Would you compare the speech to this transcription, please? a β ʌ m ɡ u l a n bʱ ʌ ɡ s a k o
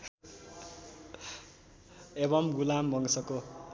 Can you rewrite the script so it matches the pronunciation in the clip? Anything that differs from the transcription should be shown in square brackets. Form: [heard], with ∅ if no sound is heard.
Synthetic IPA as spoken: [e] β ʌ m ɡ u l a [m] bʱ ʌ [ŋ] s [ʌ] k o